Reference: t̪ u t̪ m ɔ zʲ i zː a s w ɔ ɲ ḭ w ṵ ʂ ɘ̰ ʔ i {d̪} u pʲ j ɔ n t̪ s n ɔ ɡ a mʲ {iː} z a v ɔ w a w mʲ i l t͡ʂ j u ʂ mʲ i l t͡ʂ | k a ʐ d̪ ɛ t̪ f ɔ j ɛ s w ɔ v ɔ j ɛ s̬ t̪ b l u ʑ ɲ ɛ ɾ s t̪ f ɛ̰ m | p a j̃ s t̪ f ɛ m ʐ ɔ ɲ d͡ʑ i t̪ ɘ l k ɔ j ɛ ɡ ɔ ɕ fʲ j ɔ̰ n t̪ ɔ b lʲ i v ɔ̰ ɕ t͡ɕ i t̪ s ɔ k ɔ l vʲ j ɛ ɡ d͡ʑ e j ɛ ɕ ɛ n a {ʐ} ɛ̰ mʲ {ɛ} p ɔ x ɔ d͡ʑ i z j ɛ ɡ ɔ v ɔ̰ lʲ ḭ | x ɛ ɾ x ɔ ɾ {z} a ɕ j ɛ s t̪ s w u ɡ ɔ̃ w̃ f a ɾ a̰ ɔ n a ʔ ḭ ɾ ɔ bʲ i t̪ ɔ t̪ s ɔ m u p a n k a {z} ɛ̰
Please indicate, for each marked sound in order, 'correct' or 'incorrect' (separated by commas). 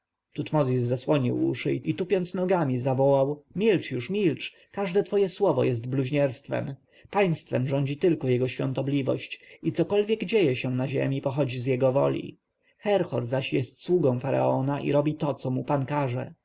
incorrect, incorrect, incorrect, incorrect, correct, incorrect